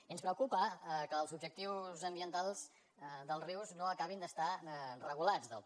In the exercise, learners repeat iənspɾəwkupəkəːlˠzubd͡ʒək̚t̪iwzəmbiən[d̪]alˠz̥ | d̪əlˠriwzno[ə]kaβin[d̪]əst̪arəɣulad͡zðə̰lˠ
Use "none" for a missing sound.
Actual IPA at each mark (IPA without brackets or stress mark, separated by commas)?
t̪, ə, d̪